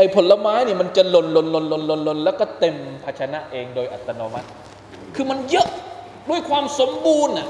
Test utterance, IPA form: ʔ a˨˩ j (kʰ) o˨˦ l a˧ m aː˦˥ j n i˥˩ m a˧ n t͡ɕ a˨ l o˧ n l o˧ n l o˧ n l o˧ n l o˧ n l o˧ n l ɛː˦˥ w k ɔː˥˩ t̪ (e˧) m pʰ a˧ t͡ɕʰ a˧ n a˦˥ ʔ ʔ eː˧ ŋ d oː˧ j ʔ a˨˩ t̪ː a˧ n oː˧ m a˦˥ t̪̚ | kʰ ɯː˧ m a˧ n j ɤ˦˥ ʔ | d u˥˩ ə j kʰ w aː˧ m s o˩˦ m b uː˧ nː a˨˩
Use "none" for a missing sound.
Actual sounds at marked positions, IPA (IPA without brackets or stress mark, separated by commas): pʰ, e˧